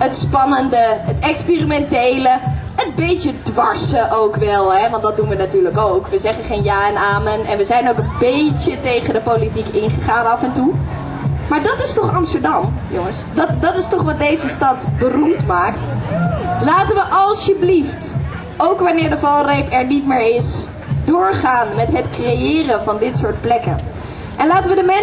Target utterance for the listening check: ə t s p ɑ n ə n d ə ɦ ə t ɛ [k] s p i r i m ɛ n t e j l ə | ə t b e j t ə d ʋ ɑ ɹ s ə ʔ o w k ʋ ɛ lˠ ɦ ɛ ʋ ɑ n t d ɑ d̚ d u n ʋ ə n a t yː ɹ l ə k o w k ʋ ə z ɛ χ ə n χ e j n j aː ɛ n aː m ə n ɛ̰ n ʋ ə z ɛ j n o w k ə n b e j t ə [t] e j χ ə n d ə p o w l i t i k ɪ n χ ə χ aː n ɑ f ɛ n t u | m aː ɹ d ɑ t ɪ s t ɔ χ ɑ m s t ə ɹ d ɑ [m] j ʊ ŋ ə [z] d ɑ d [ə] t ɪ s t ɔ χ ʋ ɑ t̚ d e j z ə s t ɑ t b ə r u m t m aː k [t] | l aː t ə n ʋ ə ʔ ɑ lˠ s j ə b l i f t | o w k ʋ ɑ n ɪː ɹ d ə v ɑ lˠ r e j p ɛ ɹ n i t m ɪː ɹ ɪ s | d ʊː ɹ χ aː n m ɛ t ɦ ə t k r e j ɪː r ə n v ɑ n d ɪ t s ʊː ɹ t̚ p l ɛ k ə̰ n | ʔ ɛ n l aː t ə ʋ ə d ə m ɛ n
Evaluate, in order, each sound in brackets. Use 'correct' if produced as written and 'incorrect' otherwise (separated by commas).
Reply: correct, correct, correct, incorrect, incorrect, correct